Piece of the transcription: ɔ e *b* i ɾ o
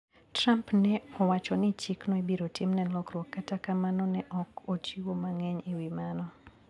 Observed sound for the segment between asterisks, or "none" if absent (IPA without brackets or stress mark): b